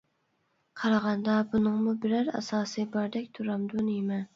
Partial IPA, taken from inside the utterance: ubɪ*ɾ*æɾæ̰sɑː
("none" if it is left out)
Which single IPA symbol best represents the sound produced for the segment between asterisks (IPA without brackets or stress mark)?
ɾ